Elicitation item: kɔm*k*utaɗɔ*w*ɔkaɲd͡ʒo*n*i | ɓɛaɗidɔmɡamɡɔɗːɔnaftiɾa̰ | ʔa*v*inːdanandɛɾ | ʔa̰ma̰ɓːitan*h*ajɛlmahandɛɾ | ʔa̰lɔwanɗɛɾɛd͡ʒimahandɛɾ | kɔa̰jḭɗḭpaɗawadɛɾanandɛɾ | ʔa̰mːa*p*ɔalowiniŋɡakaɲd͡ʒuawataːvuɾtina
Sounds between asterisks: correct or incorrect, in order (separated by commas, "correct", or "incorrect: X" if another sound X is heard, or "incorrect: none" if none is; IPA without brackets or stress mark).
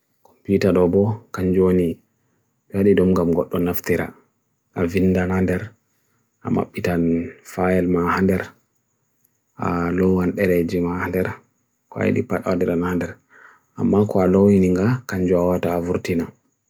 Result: incorrect: p, incorrect: b, correct, correct, incorrect: f, incorrect: k